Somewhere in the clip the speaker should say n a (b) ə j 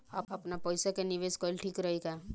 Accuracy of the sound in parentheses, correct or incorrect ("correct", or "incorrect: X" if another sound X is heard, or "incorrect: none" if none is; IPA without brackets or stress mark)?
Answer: incorrect: p